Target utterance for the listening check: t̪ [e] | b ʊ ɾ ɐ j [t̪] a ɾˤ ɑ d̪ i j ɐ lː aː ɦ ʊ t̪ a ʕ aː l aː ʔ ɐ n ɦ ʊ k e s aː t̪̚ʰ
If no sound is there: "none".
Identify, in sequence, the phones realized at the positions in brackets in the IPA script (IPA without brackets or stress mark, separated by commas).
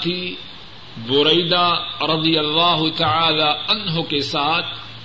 i, d̪